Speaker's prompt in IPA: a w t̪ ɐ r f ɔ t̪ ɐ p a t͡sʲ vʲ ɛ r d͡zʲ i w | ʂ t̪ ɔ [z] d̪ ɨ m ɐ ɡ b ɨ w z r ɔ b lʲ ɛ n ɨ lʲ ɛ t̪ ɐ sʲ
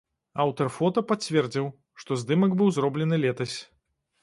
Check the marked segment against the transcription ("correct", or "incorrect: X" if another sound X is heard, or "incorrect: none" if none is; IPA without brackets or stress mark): correct